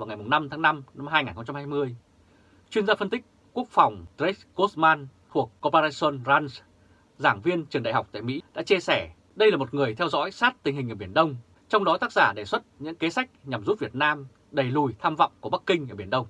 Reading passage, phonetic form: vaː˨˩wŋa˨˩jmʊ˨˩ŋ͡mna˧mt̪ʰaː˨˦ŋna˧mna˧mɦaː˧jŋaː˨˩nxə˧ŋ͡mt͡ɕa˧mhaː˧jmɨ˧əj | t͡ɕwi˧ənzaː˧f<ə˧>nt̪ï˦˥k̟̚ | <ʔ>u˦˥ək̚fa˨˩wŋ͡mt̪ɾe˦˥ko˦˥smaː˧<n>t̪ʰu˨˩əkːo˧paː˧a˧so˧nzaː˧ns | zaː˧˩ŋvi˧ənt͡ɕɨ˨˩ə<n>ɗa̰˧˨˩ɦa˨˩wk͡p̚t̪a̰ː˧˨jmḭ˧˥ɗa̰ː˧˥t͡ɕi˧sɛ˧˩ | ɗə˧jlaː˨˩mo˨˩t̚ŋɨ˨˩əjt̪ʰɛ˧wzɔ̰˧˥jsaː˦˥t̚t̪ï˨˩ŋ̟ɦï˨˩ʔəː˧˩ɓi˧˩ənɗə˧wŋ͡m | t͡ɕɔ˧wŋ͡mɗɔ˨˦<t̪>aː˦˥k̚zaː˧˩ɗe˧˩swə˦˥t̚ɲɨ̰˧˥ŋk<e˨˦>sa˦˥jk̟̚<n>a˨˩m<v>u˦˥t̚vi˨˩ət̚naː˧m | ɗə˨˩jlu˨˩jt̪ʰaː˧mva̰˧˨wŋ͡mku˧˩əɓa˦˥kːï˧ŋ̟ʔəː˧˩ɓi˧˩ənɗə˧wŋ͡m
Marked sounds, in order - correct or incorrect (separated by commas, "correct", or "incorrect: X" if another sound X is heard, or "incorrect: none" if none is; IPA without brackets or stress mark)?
correct, incorrect: k, correct, incorrect: ŋ, correct, correct, incorrect: ɲ, incorrect: z